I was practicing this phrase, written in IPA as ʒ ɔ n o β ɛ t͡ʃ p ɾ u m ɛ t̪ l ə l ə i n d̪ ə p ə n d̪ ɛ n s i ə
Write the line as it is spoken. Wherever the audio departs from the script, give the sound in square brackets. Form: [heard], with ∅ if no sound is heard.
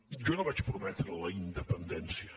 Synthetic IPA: ʒ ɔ n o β [a] t͡ʃ p ɾ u m ɛ t̪ [ɾ] ə l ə i n d̪ ə p ə n d̪ ɛ n s i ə